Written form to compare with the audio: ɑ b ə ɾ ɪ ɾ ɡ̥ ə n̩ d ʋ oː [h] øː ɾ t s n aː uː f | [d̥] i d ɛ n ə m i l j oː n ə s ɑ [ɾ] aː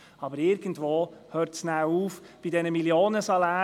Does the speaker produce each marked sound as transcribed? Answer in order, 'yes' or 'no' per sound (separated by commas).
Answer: yes, no, no